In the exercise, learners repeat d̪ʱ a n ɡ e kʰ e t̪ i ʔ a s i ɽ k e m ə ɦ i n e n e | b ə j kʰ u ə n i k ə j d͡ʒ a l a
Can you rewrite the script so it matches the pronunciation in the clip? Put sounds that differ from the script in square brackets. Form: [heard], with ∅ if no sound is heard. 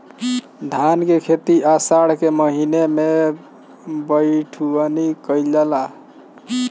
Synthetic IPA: d̪ʱ a n [k] e kʰ e t̪ i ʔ a s [a] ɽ k e m ə ɦ i n e [m] e | b ə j [ʈʰ] u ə n i k ə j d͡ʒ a l a